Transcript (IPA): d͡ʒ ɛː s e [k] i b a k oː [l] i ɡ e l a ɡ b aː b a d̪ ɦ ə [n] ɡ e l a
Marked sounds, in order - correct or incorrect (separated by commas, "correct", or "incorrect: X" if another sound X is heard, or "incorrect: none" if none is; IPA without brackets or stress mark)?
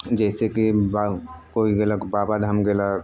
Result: correct, incorrect: none, incorrect: m